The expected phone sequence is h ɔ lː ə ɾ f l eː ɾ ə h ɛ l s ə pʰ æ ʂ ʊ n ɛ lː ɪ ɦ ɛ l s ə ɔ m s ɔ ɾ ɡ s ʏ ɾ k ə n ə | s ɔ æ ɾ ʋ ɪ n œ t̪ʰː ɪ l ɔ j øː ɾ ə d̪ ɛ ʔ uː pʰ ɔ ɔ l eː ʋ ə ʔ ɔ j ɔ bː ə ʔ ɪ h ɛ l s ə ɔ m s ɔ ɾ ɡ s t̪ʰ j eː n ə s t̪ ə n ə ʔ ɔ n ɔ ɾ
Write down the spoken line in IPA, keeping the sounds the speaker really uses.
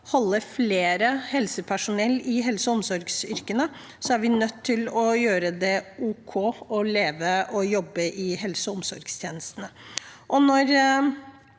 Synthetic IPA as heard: h ɔ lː ə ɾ f l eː ɾ ə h ɛ l s ə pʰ æ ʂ ʊ n ɛ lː ɪ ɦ ɛ l s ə ɔ m s ɔ ɾ ɡ s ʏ ɾ k ə n ə | s ɔ æ ɾ ʋ ɪ n œ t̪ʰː ɪ l ɔ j øː ɾ ə d̪ ɛ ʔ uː kʰ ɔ ɔ l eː ʋ ə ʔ ɔ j ɔ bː ə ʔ ɪ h ɛ l s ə ɔ m s ɔ ɾ ɡ s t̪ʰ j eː n ə s t̪ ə n ə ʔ ɔ n ɔ ɾ